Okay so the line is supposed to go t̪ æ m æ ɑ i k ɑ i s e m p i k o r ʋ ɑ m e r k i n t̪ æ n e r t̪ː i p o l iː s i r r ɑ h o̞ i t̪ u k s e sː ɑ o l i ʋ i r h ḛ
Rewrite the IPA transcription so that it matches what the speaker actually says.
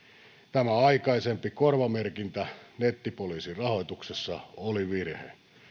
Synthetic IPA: t̪ æ m æ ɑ i k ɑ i s e m p i k o r ʋ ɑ m e r k i n t̪ æ n e t̪ː i p o l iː s i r r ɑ h o̞ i t̪ u k s e sː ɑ o l i ʋ i r h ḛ